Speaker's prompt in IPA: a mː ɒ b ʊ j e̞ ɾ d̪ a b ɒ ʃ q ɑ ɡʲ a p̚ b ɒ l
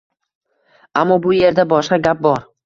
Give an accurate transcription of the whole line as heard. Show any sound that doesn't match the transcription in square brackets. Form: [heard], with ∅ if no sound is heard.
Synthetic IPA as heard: a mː ɒ b ʊ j e̞ ɾ d̪ a b ɒ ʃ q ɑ ɡʲ a p̚ b ɒ [ɾ]